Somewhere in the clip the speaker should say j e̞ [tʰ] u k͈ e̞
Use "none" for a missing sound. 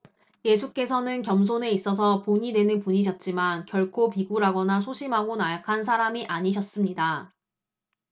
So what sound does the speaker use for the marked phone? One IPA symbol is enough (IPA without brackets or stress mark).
sʰ